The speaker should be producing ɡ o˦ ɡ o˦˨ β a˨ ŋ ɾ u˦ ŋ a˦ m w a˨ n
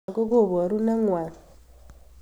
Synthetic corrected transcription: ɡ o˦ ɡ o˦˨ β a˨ ɾ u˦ n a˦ ŋ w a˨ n